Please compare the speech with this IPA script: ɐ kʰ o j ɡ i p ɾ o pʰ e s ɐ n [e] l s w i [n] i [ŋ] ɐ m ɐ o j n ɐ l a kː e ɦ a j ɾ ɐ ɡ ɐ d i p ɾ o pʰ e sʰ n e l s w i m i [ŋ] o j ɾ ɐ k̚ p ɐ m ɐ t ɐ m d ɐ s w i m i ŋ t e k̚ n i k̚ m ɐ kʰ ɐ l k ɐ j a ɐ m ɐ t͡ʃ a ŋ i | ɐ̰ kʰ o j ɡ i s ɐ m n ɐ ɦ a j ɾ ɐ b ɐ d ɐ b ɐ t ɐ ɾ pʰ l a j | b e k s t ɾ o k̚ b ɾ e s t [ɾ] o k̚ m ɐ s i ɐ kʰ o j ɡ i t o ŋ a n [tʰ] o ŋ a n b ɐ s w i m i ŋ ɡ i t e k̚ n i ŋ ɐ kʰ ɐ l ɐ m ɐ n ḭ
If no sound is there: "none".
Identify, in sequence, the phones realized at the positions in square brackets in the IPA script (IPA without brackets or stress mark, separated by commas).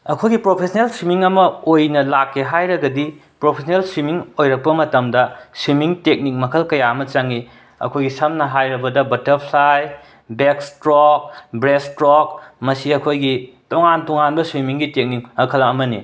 e, m, ŋ, ŋ, ɾ, t